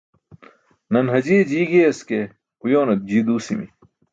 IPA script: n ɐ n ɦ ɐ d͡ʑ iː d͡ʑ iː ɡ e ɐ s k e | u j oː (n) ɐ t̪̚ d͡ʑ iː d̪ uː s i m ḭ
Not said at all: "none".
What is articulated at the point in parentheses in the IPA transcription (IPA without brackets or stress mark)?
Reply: n